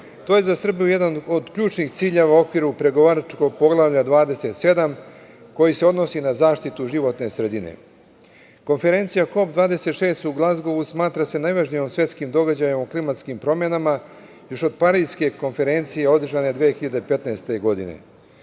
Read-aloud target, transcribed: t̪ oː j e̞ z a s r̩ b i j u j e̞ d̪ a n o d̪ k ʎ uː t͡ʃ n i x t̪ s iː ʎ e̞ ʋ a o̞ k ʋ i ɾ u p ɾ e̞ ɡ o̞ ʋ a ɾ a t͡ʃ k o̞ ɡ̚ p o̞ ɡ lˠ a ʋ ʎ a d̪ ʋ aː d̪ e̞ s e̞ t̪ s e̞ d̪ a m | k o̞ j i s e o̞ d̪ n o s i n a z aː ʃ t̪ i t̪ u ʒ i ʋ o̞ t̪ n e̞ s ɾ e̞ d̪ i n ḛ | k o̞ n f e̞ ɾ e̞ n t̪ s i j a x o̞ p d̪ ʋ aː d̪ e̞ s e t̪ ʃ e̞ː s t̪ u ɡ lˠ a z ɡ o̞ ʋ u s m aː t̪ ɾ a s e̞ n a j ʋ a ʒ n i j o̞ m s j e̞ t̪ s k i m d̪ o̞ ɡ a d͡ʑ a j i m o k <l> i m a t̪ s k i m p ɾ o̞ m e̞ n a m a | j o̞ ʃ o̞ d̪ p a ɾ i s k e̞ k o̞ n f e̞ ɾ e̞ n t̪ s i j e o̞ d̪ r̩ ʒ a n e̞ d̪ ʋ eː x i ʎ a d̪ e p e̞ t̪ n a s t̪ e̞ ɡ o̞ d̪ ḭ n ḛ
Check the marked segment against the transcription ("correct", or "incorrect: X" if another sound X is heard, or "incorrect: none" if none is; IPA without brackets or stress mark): correct